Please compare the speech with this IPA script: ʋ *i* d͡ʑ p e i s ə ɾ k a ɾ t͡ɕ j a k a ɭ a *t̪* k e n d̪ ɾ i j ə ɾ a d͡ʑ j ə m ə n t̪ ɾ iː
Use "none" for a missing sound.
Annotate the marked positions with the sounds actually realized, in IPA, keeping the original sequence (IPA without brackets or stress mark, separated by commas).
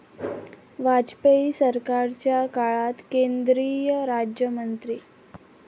a, t̪